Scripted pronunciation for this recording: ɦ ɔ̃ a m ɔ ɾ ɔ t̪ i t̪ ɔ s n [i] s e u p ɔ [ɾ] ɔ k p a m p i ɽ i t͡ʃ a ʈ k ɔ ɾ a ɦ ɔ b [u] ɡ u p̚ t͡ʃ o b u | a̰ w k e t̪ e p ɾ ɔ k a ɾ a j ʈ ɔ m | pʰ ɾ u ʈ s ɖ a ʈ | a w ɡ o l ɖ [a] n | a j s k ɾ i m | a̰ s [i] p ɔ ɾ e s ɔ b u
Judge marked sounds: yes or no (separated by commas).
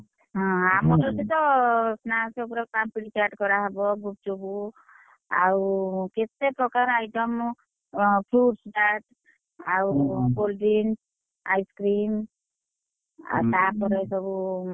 no, yes, no, no, no